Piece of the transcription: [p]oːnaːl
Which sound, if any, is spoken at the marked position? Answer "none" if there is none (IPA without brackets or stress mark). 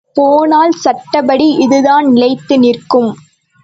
p